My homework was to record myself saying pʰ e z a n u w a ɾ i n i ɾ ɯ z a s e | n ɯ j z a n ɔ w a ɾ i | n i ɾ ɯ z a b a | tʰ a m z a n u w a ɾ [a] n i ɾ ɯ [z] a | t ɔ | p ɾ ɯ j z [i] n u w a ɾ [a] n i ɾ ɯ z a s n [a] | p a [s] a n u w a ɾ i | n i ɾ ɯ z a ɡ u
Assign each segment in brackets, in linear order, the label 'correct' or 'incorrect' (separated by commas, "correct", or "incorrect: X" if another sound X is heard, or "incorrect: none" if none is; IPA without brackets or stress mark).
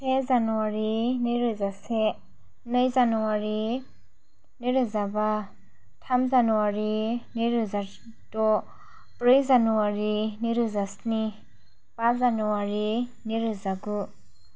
incorrect: i, correct, incorrect: a, incorrect: i, incorrect: i, incorrect: z